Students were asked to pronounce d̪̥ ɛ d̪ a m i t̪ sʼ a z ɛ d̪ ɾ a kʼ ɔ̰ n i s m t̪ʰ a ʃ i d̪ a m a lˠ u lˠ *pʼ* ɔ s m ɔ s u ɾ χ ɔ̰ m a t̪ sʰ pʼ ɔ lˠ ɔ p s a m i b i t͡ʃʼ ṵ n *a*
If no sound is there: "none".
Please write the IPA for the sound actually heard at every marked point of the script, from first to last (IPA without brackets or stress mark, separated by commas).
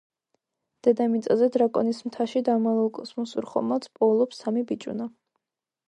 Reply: kʼ, a